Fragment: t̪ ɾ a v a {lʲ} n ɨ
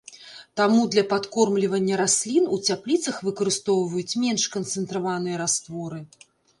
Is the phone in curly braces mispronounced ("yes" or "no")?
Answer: yes